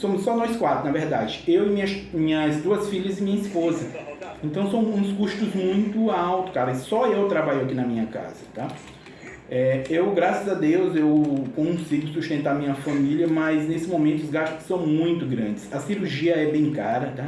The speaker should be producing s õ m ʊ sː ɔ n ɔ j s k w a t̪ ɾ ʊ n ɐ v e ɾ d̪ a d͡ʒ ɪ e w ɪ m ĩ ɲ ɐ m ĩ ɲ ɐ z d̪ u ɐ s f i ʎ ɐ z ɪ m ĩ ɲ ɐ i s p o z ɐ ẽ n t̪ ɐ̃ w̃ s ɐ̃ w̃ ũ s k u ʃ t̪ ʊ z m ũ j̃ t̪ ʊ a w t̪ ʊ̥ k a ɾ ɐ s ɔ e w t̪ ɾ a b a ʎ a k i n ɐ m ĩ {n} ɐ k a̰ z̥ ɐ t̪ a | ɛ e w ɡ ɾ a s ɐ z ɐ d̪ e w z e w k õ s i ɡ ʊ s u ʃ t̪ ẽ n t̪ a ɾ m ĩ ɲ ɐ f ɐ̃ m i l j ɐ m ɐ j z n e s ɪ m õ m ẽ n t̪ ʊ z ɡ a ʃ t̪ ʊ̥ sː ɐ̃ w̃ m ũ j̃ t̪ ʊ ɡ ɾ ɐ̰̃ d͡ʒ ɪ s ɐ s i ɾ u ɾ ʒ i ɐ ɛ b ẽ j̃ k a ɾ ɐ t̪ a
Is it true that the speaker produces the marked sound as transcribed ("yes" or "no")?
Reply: no